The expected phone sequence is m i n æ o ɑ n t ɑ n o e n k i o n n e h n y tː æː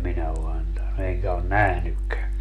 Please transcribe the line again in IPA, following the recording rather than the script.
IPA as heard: m i n æ o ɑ n t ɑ n u e ŋ k æ o n n æ h n y kː æː

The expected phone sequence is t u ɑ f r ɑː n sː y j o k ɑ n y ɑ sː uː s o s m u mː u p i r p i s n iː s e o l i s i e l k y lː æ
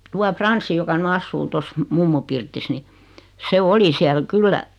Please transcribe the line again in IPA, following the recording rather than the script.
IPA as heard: t u ɑ f r ɑ n sː i j o k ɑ n y ɑ sː uː t o s m u mː u p i r t i s n i s e o l i s i æ l k y lː æ

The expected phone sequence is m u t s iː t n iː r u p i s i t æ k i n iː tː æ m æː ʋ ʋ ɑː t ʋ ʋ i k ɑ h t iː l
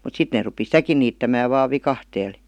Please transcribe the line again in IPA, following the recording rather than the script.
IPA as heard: m u t s i t n eː r u p i s i t æ k i n iː tː æ m æː ʋ ʋ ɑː ʋ ʋ i k ɑ h t eː l

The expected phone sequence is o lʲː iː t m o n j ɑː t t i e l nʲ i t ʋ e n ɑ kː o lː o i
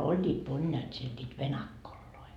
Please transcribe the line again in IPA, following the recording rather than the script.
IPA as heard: o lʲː iː t m o n j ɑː t s i e l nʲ iː t ʋ e n ɑ kː o lː o i

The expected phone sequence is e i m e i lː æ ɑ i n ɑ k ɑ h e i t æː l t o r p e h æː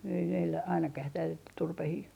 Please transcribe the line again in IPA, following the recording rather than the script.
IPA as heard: e i m e i lː æ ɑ i n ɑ k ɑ h e i t æː l t u r p e h iː

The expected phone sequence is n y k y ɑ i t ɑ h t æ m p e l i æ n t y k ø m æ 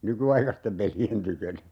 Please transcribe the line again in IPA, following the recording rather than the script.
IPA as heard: n y k y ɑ i k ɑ s t e m p e l i e n t y k ø n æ

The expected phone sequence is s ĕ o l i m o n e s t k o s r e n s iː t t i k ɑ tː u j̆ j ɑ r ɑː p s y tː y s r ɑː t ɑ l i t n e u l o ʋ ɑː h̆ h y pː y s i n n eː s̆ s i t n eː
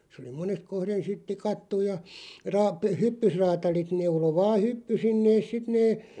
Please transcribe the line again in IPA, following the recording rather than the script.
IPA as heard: s ĕ o l i m o n e s t k o h r e n s i t t i k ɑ tː u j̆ j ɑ r ɑː p h y pː y s r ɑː t ɑ l i t n e u l o ʋ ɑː h̆ h y pː y s i n n eː s̆ s i t n eː

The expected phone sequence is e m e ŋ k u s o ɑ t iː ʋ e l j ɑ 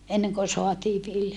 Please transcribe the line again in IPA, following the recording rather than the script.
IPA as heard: e n e ŋ k o s o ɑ t iː ʋ i l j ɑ

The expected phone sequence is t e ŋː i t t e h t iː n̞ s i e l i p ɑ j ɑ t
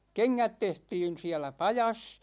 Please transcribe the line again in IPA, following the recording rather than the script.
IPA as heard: k e ŋː æ t t e h t iː n̞ s i æ l æ p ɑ j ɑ s

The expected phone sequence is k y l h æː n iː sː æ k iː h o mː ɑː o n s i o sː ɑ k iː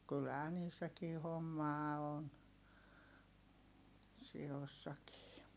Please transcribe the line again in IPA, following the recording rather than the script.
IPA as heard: k y l h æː n iː sː æ k iː h o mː ɑː o n s i o sː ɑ k iː

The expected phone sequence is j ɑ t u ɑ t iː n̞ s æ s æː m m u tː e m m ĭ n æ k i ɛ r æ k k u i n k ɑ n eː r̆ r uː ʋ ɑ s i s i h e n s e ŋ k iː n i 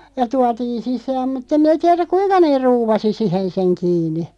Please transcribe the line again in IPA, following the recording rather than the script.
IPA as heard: j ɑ t u ɑ t iː n̞ s i s æː m m u tː e m m ĭ n æ t i ɛ r æ k k u i n k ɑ n eː r̆ r uː ʋ ɑ s i s i h e n s e ŋ k iː n i

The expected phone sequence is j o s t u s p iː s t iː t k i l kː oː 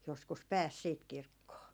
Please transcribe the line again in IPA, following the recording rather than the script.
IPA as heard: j o s k u s p æː s s iː t k i r kː oː

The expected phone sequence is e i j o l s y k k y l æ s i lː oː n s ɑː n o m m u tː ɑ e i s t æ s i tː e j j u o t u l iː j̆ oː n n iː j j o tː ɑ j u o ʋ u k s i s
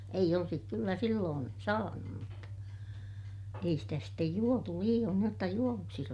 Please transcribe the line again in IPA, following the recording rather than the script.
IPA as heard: e i j o l s i k k y lː æ s i lː oː n s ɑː n u m m u tː ɑ e i s t æ s i tː e j j u o t u l iː j̆ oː n n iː j j o tː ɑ j u o ʋ u k s i s

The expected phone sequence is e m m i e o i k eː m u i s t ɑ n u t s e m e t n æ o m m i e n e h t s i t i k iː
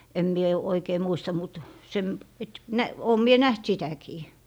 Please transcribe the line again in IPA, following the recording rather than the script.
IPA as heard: e m m i e o i k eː m u i s t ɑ m u t s e m e t n æ oː m m i e n æ h t s i t æ k iː

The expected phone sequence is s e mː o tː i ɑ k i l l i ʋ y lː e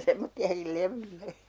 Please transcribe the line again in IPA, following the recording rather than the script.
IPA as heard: s e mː o tː i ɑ k i l l e ʋ y lː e

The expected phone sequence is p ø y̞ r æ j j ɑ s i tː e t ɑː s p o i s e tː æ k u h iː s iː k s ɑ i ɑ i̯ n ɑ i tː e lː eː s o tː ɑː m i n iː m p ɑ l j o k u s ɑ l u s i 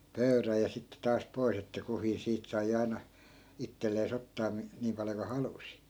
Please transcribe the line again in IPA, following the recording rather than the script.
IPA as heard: p ø y̞ r æ j j ɑ s i tː e t ɑː s p o i s e tː æ k u h iː s iː t s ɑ i ɑ i̯ n ɑ i tː e lː eː s o tː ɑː m i n iː m p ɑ l j o k u h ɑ l u s i

